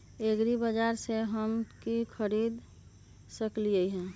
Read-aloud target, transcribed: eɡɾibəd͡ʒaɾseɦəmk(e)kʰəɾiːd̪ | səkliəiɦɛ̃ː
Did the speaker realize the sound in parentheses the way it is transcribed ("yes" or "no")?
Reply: no